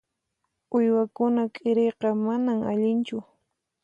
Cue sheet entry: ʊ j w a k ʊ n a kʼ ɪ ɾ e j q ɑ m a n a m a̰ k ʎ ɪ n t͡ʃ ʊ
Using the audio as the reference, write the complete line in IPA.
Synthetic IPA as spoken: ʊ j w a k ʊ n a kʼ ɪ ɾ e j q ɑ m a n a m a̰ ʎ ɪ n t͡ʃ ʊ

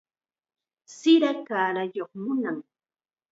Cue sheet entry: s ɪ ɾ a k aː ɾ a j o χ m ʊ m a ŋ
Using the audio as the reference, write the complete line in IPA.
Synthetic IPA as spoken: s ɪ ɾ a k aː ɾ a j o χ m ʊ n a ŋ

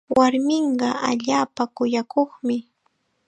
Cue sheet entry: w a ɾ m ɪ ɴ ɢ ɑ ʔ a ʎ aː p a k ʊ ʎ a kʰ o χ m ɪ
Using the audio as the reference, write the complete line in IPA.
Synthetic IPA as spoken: w a ɾ m ɪ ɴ ɢ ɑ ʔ a ʎ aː p a k ʊ j a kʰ o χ m ɪ

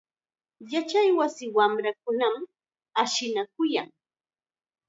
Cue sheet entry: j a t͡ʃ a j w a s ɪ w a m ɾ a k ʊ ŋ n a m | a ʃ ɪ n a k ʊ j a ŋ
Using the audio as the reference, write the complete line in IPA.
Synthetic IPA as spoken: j a t͡ʃ a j w a s ɪ w a m ɾ a k ʊ n a m | a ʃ ɪ n a k ʊ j a ŋ

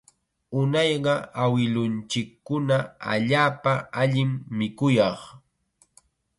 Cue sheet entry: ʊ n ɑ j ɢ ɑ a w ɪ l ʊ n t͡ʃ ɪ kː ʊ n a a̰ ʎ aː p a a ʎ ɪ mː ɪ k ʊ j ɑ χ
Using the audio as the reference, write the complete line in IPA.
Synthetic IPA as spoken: ʊ n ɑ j ɢ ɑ a w ɪ l ʊ n t͡ʃ ɪ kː ʊ n a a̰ ʎ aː p a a ʎ ɪ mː ɪ k ʊ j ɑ χ

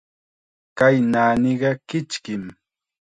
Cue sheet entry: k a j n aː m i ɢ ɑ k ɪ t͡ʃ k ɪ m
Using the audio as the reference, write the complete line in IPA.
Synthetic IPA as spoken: k a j n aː n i ɢ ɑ k ɪ t͡ʃ k ɪ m

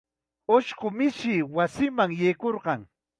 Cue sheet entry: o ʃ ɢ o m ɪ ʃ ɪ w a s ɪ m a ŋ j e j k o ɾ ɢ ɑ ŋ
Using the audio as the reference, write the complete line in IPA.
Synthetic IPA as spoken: o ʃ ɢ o m ɪ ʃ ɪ w a s ɪ m a ŋ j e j k o ɾ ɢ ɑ ŋ

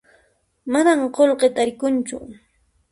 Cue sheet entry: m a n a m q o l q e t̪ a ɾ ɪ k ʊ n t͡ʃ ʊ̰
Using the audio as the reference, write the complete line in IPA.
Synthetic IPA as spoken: m a n a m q o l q e t̪ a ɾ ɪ k ʊ n t͡ʃ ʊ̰

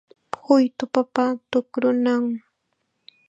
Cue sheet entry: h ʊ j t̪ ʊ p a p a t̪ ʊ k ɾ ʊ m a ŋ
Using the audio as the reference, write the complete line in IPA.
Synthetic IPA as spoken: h ʊ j t̪ ʊ p a p a t̪ ʊ k ɾ ʊ n a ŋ

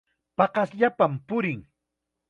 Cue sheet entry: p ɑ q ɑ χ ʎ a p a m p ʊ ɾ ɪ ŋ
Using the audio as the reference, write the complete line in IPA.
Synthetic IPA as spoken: p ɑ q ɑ s ʎ a p a m p ʊ ɾ ɪ ŋ

